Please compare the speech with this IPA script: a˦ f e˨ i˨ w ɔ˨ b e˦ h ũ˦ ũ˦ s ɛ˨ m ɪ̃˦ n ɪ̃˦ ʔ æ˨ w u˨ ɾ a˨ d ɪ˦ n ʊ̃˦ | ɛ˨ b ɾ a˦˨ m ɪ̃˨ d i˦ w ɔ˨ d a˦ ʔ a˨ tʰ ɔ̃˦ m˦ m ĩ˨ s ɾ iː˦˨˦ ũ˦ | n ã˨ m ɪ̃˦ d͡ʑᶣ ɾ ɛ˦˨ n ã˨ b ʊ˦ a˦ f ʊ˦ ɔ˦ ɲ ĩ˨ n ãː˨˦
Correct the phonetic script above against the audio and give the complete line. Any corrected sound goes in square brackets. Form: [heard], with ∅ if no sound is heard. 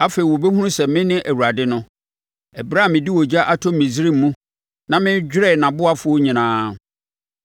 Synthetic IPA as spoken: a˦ f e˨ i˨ w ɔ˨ b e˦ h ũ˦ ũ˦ s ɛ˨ m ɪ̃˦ n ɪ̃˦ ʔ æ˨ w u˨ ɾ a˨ d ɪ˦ n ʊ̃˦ | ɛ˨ b ɾ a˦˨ m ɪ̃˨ d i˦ w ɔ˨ [d͡ʑ] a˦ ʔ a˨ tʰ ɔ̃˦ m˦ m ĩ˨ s ɾ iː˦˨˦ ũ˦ | n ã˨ m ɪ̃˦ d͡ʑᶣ ɾ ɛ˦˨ n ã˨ b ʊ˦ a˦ f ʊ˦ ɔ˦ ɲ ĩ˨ n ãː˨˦